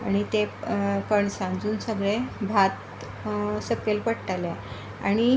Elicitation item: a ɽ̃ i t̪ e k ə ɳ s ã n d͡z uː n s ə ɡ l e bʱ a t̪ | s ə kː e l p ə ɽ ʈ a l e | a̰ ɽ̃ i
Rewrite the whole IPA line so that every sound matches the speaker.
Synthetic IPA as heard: a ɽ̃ i t̪ e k ə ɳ s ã n d͡z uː n s ə ɡ ɭ e bʱ a t̪ | s ə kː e l p ə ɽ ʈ a l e | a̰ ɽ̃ i